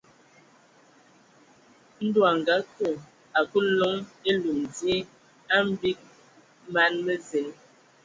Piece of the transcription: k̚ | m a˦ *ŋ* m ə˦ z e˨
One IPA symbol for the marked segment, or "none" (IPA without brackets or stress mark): n